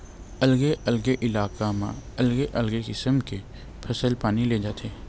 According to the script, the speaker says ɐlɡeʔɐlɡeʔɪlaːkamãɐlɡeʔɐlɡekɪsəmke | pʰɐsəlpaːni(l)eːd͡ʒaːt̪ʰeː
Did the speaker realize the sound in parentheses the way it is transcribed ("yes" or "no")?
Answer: yes